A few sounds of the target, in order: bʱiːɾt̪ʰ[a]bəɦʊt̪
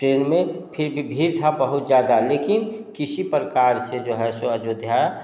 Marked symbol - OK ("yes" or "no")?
yes